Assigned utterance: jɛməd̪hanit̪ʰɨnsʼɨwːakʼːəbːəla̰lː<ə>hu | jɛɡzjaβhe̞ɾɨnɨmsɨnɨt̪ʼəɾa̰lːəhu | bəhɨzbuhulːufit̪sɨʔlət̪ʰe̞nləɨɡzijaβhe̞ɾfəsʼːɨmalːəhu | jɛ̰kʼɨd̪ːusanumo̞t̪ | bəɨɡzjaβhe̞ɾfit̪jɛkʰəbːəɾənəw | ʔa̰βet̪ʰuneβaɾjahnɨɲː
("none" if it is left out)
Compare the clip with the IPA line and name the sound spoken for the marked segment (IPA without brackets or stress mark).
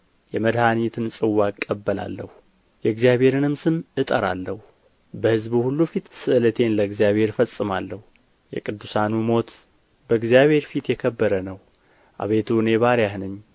ə